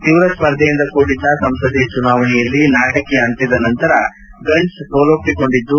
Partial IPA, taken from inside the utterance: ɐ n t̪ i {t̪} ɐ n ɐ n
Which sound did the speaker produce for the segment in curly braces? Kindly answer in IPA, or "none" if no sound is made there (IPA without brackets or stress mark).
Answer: d̪